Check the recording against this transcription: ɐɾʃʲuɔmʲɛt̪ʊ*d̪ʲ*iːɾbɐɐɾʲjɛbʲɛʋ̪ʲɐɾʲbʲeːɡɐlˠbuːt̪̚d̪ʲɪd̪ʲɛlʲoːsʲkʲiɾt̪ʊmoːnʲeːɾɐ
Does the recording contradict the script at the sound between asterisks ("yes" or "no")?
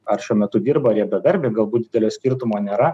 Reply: no